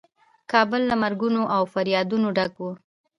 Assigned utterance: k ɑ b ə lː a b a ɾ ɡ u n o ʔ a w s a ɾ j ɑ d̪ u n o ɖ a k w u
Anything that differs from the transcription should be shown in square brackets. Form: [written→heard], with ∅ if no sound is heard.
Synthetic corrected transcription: k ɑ b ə lː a [b→m] a ɾ ɡ u n o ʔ a w [s→f] a ɾ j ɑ d̪ u n o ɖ a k w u